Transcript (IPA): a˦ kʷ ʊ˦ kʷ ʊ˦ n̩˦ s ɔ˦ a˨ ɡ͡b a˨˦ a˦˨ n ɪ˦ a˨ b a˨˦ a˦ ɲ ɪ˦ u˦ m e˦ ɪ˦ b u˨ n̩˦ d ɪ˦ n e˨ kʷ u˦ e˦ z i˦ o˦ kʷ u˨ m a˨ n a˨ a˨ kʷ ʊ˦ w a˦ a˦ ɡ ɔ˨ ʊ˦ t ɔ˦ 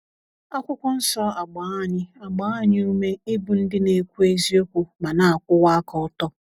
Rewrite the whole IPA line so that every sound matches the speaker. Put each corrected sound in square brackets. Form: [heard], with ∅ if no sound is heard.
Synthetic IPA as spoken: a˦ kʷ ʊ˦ kʷ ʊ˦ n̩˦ s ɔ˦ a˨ ɡ͡b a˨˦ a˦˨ [ɲ] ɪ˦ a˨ [ɡ͡b] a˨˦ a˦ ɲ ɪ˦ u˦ m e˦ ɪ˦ b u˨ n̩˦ d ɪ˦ n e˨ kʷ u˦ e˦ z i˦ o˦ kʷ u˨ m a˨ n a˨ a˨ kʷ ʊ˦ w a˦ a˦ [k] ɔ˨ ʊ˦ t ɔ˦